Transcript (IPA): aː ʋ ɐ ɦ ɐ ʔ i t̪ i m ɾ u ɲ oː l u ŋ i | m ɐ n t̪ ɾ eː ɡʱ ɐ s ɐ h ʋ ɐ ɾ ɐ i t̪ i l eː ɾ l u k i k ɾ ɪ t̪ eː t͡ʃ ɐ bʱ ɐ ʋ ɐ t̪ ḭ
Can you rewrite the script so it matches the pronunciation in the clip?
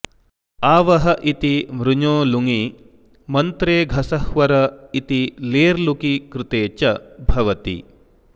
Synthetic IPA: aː ʋ ɐ ɦ ɐ ʔ i t̪ i m ɾ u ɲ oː l u ŋ i | m ɐ n t̪ ɾ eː ɡʱ ɐ s ɐ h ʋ ɐ ɾ ɐ i t̪ i l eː ɾ l u k i k ɾ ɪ t̪ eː t͡ʃ ɐ bʱ ɐ ʋ ɐ t̪ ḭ